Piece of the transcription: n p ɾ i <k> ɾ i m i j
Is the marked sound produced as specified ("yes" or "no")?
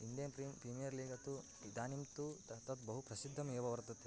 no